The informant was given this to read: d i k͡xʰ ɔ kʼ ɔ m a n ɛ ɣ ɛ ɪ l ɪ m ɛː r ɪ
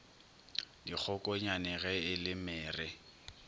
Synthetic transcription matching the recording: d i k͡xʰ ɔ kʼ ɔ ɲ a n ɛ ɣ ɛ ɪ l ɪ m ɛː r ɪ